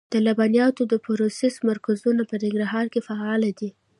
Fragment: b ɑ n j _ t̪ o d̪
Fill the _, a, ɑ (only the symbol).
ɑ